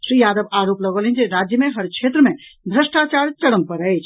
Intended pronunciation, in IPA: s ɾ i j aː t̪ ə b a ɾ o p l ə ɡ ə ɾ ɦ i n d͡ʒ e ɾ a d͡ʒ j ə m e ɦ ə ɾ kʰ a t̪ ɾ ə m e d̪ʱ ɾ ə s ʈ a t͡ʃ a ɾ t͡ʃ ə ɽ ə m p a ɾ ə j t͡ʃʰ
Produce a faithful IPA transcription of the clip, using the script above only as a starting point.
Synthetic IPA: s ɾ i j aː d̪ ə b a ɾ o p l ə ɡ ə l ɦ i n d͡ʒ e ɾ a d͡ʒ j ə m e ɦ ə ɾ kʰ e t̪ ɾ ə m e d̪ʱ ɾ ə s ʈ a t͡ʃ a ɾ t͡ʃ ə ɽ ə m p ə ɾ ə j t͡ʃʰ